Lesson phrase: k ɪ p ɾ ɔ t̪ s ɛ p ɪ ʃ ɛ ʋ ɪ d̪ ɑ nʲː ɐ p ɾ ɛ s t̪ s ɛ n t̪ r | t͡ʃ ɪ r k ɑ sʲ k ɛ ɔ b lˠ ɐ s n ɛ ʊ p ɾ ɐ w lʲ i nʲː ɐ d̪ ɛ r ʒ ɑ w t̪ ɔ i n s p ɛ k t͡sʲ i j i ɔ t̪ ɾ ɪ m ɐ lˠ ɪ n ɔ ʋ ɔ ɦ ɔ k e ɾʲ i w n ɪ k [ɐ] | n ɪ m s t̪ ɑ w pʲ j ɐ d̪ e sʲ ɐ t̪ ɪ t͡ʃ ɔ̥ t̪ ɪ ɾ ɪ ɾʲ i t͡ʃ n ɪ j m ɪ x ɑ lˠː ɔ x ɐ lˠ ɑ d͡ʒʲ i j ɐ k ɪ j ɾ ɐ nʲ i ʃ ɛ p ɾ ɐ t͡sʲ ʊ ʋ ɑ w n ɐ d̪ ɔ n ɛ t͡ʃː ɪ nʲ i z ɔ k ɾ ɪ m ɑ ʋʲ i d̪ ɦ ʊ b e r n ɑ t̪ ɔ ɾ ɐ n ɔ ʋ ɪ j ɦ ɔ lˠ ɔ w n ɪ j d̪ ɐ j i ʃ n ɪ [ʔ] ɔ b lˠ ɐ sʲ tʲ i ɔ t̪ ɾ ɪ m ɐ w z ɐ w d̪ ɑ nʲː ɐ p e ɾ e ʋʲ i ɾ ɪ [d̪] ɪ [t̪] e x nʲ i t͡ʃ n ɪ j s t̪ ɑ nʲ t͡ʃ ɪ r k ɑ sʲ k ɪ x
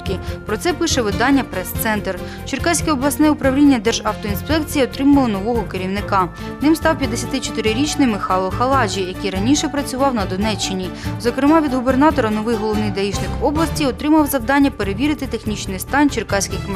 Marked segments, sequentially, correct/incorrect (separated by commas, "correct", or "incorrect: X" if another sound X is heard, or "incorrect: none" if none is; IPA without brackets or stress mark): incorrect: ɑ, incorrect: k, incorrect: t̪, correct